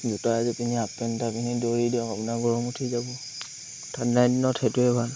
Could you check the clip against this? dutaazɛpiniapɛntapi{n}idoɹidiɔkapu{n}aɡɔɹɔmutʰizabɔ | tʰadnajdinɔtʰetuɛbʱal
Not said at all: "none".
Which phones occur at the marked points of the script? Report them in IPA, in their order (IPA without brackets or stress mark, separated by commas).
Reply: n, n